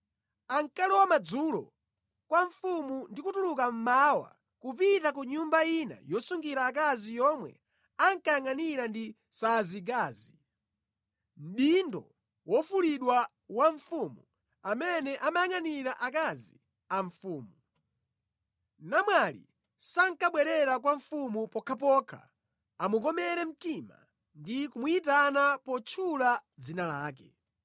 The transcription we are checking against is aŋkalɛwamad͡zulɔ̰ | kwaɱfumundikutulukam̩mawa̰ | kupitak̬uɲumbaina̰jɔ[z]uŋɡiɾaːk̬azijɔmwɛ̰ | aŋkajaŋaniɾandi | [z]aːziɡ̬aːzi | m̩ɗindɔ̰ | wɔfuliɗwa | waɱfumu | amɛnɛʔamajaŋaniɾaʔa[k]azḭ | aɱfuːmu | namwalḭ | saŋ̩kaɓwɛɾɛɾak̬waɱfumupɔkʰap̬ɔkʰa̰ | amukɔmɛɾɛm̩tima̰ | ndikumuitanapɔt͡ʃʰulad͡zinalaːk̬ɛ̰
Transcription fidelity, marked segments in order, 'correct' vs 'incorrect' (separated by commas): incorrect, incorrect, correct